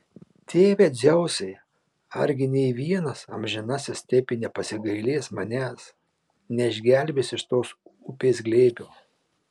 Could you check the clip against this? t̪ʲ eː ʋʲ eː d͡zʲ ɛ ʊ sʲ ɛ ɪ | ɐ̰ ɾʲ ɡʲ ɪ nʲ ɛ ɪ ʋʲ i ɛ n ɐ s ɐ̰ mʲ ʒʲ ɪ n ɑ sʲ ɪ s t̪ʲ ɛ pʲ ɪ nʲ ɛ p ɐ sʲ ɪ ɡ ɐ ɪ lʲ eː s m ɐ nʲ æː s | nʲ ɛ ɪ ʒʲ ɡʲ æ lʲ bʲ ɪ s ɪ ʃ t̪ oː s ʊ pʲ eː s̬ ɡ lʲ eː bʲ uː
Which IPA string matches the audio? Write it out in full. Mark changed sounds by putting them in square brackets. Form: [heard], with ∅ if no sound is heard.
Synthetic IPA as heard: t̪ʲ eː ʋʲ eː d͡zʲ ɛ ʊ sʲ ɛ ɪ | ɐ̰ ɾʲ ɡʲ ɪ nʲ ɛ ɪ ʋʲ i ɛ n ɐ s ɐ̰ mʲ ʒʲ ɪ n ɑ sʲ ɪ s t̪ʲ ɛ pʲ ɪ nʲ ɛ p ɐ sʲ ɪ ɡ ɐ ɪ lʲ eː s m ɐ nʲ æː s | nʲ ɛ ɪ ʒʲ ɡʲ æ lʲ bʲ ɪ s ɪ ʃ t̪ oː s ʊ pʲ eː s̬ ɡ lʲ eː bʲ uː